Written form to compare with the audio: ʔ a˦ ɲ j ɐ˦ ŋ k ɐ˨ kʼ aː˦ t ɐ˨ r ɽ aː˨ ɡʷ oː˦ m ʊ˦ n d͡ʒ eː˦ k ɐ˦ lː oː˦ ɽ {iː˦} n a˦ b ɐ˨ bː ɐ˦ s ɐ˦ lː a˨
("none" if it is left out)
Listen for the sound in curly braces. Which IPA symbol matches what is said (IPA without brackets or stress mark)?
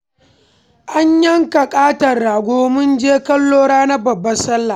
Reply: aː˦